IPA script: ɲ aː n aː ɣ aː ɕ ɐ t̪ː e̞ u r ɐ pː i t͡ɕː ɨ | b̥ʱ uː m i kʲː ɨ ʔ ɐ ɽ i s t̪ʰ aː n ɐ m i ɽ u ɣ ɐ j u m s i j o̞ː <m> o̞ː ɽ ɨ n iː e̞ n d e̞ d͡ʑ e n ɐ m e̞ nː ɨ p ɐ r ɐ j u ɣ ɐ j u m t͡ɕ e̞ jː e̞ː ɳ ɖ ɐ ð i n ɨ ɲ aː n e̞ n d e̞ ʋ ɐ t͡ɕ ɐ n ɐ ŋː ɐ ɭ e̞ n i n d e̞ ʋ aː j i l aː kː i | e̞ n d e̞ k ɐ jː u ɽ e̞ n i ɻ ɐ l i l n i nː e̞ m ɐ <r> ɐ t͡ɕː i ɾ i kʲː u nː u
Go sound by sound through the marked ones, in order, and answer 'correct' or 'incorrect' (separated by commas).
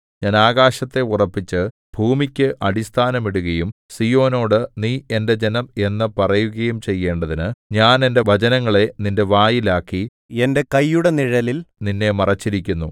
incorrect, correct